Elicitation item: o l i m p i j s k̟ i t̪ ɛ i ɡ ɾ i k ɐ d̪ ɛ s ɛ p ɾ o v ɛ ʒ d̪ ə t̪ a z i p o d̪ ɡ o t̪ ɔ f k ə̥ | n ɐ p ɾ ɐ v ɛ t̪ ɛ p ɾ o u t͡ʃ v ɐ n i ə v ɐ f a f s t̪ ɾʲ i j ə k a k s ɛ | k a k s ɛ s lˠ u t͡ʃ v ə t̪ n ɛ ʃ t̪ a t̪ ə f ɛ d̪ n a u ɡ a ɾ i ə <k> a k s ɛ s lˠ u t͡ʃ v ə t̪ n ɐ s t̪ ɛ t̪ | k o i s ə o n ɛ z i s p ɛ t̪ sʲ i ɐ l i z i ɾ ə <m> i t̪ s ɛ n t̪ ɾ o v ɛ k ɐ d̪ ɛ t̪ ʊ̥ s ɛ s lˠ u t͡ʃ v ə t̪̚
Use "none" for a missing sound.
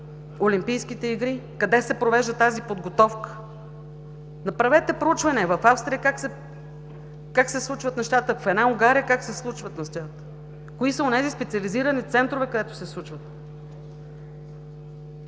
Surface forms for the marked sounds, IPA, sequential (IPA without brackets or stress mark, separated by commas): k, n